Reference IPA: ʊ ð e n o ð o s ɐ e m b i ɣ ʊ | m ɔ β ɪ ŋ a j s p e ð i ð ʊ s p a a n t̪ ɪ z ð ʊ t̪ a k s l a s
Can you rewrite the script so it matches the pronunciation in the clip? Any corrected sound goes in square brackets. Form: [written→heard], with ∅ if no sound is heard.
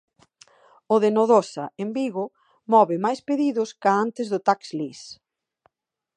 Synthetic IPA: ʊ ð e n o ð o s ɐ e m b i ɣ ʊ | m ɔ β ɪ [ŋ→m] a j s p e ð i ð ʊ s [p→k] a a n t̪ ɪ z ð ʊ t̪ a k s l [a→i] s